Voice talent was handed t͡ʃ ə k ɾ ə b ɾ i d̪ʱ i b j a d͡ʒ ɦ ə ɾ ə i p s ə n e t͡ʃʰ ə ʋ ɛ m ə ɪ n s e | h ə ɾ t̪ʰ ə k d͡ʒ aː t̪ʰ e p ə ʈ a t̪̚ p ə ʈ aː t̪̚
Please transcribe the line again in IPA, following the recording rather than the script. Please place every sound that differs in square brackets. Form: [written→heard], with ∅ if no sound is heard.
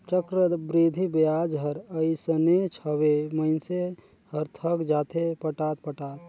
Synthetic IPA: t͡ʃ ə k ɾ ə b ɾ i d̪ʱ i b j a d͡ʒ ɦ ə ɾ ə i [p→∅] s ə n e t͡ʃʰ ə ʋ [ɛ→e] m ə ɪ n s e | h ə ɾ t̪ʰ ə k d͡ʒ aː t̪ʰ e p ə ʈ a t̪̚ p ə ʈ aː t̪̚